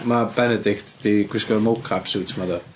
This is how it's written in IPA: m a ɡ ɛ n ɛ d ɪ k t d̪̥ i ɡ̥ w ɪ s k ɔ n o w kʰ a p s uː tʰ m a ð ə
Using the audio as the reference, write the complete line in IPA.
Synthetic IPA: m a b ɛ n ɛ d ɪ k t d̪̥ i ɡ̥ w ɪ s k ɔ m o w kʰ a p s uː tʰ m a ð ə